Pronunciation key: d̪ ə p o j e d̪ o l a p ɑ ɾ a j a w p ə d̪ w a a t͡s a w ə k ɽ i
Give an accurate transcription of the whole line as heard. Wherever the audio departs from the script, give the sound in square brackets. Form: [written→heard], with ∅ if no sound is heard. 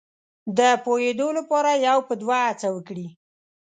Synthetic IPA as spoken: d̪ ə p o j e d̪ o l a p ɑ ɾ a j a w p ə d̪ w a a t͡s a w ə k ɽ i